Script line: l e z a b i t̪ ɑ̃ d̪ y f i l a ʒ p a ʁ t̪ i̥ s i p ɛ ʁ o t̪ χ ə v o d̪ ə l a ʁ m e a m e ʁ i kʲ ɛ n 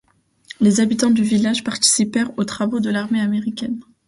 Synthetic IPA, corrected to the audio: l e z a b i t̪ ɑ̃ d̪ y v i l a ʒ p a ʁ t̪ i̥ s i p ɛ ʁ o t̪ χ a v o d̪ ə l a ʁ m e a m e ʁ i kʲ ɛ n